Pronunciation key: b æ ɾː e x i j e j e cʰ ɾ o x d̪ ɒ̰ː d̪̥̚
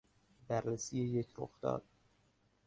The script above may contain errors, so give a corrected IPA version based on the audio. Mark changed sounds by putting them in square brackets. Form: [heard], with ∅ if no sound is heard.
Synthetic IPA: b æ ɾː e [s] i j e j e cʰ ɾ o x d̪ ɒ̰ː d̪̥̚

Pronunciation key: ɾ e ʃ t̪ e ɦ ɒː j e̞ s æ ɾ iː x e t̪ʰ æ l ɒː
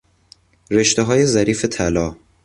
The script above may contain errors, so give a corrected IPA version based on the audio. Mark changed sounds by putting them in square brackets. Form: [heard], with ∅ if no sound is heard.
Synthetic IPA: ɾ e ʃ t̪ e ɦ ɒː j e̞ [z] æ ɾ iː [f] e t̪ʰ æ l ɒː

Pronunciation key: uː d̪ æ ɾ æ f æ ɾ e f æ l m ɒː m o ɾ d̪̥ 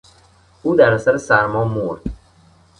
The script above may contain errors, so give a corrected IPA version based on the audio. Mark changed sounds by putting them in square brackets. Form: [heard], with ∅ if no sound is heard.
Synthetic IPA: uː d̪ æ ɾ æ [s] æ ɾ e [s] æ [ɾ] m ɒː m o ɾ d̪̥

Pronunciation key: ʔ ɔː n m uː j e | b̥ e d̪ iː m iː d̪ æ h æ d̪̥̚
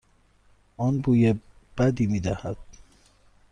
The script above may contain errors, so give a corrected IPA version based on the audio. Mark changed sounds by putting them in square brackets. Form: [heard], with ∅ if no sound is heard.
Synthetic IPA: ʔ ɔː n [b] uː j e | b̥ [æ] d̪ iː m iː d̪ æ h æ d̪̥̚

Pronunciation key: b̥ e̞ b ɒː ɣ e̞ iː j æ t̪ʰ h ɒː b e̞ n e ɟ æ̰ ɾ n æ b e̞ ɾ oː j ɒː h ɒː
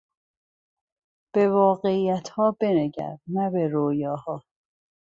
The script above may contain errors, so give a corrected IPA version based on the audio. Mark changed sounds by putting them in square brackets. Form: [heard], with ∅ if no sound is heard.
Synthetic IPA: b̥ e̞ [v] ɒː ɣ e̞ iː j æ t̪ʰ h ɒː b e̞ n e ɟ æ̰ ɾ n æ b e̞ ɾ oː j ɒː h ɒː

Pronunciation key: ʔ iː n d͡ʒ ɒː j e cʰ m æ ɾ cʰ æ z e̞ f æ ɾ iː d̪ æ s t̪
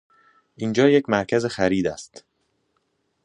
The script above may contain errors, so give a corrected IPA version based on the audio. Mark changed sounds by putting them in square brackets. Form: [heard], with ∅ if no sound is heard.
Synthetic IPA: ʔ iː n d͡ʒ ɒː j e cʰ m æ ɾ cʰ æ z e̞ [x] æ ɾ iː d̪ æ s t̪

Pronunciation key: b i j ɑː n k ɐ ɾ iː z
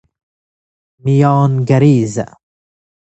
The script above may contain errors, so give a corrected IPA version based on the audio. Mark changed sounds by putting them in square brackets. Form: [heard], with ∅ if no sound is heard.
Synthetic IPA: [m] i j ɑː n [ɡ] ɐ ɾ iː z

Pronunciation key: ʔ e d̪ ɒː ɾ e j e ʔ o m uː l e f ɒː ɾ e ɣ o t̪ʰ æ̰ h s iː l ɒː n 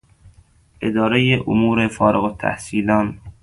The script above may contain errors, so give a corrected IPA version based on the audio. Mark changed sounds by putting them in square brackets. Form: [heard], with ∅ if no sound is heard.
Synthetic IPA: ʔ e d̪ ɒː ɾ e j e ʔ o m uː [ɾ] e f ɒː ɾ e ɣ o t̪ʰ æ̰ h s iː l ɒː n

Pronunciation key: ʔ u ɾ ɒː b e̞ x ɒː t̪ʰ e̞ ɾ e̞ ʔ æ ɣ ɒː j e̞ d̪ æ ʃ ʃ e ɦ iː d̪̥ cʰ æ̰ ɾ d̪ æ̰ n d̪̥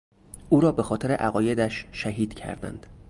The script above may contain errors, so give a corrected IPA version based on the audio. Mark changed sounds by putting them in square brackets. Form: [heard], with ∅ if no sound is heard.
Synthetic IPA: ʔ [uː] ɾ ɒː b e̞ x ɒː t̪ʰ e̞ ɾ e̞ ʔ æ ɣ ɒː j e̞ d̪ æ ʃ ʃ [æ] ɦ iː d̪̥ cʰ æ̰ ɾ d̪ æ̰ n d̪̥

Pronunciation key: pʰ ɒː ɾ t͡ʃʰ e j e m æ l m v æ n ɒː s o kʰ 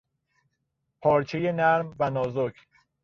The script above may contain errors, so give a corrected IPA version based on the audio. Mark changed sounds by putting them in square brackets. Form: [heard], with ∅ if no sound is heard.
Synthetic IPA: pʰ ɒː ɾ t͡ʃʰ e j e [n] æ [ɾ] m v æ n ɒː [z] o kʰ

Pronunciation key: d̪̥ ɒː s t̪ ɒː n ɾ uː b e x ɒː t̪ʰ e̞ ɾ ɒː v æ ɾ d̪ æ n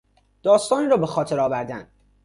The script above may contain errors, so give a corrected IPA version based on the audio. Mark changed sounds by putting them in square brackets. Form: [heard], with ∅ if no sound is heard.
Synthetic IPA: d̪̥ ɒː s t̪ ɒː n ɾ [ɒː] b e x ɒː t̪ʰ e̞ ɾ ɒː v æ ɾ d̪ æ n

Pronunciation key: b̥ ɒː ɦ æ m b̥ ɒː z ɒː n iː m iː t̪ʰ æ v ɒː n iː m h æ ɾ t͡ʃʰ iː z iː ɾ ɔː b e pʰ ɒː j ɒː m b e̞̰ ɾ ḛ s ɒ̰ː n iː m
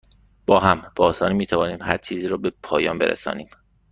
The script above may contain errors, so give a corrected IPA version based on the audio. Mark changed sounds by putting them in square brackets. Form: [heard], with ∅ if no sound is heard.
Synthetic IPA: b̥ ɒː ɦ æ m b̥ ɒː [s] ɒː n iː m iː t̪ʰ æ v ɒː n iː m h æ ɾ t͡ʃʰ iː z iː ɾ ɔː b e pʰ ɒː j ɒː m b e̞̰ ɾ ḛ s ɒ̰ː n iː m

